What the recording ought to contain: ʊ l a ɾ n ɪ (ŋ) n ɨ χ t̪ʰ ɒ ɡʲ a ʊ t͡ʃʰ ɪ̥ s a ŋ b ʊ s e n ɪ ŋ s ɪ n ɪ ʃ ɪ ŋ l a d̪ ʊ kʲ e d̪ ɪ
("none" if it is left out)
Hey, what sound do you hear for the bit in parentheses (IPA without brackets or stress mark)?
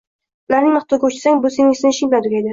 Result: ŋ